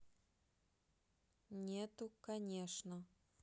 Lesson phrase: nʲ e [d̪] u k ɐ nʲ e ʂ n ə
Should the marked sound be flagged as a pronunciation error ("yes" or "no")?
yes